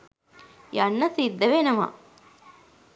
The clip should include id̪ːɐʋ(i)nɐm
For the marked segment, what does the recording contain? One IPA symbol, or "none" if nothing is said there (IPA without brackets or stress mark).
e